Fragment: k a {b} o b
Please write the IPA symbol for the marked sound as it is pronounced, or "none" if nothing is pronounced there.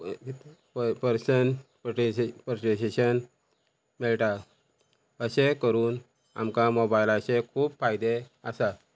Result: m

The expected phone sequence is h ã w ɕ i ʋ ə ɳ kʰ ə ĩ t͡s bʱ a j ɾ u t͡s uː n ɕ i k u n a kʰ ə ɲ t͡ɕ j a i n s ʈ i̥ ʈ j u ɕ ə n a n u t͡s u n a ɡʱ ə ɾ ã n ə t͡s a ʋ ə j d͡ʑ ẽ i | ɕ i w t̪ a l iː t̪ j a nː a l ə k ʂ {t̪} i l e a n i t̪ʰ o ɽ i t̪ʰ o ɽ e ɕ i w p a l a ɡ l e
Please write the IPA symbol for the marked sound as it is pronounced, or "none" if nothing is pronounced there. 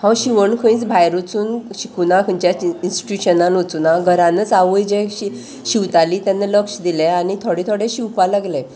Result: d̪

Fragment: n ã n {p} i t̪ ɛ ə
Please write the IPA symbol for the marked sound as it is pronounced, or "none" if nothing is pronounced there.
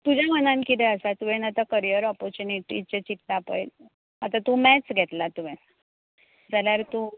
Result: k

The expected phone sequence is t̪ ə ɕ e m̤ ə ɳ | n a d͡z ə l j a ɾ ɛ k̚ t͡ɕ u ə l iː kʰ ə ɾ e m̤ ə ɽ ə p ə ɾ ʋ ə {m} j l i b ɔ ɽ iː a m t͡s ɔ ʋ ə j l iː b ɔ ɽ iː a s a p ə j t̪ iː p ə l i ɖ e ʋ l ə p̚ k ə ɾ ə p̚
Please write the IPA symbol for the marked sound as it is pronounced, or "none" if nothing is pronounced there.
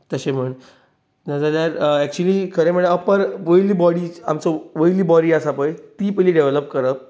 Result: none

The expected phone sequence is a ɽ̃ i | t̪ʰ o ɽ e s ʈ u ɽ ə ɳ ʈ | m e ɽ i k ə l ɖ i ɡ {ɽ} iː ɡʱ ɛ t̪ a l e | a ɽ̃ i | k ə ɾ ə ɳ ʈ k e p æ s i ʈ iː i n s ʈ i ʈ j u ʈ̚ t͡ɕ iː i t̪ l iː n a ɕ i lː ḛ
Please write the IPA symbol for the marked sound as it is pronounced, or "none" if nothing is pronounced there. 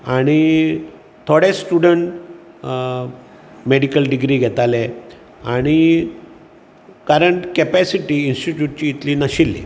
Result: ɾ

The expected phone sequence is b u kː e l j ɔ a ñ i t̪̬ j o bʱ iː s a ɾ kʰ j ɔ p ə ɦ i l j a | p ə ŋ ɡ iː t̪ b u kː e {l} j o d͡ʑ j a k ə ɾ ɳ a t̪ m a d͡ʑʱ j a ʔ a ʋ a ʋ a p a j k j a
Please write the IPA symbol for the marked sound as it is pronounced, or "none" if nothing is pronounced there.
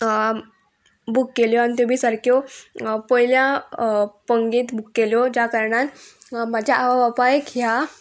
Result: l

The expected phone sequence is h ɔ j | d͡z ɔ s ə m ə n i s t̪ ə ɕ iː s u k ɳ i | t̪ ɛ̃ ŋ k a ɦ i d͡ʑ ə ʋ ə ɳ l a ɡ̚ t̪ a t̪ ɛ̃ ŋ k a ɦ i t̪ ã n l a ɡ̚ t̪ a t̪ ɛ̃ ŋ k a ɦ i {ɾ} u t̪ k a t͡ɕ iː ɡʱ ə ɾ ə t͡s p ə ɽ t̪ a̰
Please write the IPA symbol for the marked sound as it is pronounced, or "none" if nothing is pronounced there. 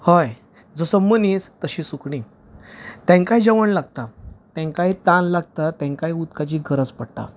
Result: none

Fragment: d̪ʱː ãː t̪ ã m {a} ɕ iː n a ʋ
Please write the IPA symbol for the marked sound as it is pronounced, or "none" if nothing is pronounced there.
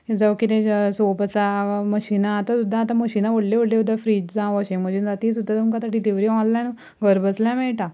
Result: ə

